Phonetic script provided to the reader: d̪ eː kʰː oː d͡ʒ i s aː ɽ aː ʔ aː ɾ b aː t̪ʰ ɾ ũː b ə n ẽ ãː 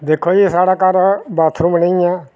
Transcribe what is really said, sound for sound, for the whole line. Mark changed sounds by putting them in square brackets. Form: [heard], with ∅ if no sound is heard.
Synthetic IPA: d̪ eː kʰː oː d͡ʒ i s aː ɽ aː [k] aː ɾ b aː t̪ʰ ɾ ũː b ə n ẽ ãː